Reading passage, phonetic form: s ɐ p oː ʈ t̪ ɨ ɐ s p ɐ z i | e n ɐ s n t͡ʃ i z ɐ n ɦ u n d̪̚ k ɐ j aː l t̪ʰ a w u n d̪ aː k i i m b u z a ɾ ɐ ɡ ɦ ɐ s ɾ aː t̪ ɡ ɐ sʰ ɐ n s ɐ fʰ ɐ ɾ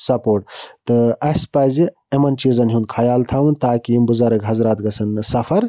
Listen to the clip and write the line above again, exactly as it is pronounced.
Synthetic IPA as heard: s ɐ p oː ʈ t̪ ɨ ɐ s p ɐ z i | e m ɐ n t͡ʃ i z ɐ n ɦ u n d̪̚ kʰ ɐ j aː l t̪ʰ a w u n t̪ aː k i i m b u z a ɾ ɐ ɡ ɦ ɐ z ɾ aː t̪ ɡ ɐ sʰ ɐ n s ɐ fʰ ɐ ɾ